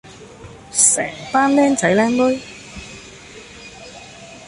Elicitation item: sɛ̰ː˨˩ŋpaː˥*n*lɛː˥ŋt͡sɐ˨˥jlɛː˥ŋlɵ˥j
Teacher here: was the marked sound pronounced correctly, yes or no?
yes